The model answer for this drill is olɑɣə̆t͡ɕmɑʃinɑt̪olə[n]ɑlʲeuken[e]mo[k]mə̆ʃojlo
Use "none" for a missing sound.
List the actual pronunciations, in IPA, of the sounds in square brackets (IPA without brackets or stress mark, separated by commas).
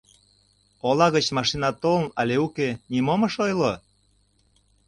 n, i, none